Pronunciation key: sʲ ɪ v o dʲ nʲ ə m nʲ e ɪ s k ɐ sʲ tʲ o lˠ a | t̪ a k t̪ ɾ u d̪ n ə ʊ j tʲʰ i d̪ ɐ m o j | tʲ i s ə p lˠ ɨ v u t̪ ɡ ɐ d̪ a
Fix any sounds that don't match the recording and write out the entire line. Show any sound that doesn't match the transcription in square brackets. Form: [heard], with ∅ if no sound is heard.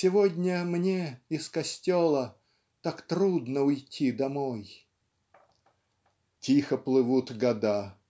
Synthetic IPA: sʲ ɪ v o dʲ nʲ ə m nʲ e ɪ s k ɐ sʲ tʲ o lˠ [ə] | t̪ a k t̪ ɾ u d̪ n ə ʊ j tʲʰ i d̪ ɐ m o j | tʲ i [x] ə p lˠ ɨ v u t̪ ɡ ɐ d̪ a